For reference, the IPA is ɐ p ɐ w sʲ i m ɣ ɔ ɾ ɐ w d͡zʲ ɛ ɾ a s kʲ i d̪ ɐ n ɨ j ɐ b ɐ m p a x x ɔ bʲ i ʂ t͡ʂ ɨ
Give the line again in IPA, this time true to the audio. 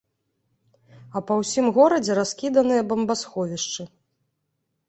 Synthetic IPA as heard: ɐ p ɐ w sʲ i m ɣ ɔ ɾ ɐ d͡zʲ ɛ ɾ a s kʲ i d̪ ɐ n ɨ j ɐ b ɐ m b a s x ɔ vʲ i ʂ t͡ʂ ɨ